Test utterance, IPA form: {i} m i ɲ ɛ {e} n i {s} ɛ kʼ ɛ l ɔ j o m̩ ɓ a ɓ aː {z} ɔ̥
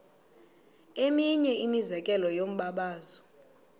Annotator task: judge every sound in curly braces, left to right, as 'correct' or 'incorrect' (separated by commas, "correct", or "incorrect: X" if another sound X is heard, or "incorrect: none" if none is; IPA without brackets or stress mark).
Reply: incorrect: e, incorrect: i, incorrect: z, correct